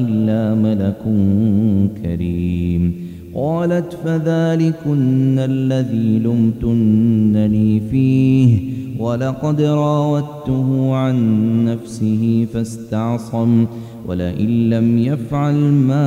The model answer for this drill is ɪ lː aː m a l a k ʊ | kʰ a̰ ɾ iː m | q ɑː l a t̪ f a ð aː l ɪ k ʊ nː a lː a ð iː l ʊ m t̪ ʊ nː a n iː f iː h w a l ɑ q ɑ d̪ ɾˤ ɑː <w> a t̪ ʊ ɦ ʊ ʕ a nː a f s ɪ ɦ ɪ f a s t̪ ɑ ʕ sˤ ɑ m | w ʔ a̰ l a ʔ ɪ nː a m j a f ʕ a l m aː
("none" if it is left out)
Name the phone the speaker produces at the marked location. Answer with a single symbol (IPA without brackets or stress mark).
w